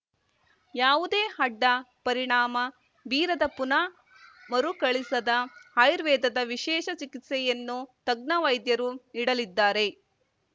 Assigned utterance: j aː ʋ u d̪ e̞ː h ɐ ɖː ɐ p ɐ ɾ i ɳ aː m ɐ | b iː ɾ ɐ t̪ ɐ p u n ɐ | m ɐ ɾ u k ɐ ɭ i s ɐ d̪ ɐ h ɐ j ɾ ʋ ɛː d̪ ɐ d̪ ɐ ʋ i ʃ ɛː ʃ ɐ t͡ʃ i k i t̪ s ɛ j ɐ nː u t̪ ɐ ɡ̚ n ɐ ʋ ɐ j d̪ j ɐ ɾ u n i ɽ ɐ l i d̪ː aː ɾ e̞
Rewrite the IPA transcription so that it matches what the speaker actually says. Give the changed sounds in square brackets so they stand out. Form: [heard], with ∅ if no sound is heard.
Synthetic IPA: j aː ʋ u d̪ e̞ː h ɐ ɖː ɐ p ɐ ɾ i ɳ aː m ɐ | b iː ɾ ɐ [d̪] ɐ p u n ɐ | m ɐ ɾ u k ɐ ɭ i s ɐ d̪ ɐ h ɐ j ɾ ʋ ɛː d̪ ɐ d̪ ɐ ʋ i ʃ ɛː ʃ ɐ t͡ʃ i k i t̪ s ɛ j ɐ nː u t̪ ɐ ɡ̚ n ɐ ʋ ɐ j d̪ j ɐ ɾ u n i ɽ ɐ l i d̪ː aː ɾ e̞